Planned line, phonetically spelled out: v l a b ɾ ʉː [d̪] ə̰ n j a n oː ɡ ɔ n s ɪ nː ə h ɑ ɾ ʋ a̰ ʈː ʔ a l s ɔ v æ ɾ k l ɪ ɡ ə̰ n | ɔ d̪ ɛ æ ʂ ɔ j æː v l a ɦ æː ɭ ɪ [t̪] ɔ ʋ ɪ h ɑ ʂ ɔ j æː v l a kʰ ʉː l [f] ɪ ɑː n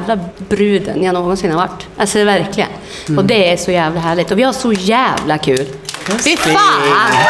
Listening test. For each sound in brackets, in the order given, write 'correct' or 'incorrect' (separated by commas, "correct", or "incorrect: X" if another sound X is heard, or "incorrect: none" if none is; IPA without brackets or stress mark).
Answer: correct, correct, correct